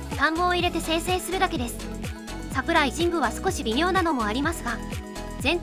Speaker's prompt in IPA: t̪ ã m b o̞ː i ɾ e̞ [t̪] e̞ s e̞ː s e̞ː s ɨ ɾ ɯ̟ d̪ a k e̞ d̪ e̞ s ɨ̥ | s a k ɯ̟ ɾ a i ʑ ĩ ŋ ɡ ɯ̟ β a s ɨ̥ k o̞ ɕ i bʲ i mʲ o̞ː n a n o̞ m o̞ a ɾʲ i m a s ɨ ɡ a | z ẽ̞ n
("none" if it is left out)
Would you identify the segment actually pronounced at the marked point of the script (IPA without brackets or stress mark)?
t̪